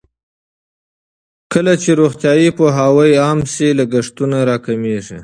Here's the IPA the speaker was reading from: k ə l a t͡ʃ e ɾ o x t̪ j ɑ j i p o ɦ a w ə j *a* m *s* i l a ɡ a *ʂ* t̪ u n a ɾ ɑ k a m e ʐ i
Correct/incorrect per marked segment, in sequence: incorrect, correct, correct

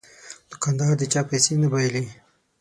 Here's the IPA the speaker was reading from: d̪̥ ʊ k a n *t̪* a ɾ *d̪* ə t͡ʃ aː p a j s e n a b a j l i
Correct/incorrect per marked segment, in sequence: incorrect, correct

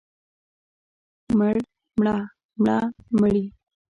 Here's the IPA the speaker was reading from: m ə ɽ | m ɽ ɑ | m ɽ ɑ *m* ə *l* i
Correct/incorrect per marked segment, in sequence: correct, incorrect

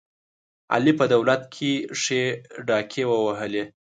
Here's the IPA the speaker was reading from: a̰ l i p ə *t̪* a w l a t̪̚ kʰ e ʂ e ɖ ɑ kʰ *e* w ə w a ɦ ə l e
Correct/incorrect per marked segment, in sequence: incorrect, correct

